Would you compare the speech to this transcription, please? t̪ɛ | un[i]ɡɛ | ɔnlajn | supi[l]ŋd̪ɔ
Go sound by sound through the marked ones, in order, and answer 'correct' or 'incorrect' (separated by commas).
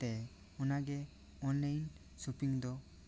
incorrect, incorrect